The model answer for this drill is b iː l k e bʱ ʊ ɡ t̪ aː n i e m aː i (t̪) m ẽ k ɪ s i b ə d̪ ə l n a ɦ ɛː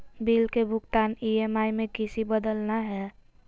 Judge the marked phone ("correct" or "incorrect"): incorrect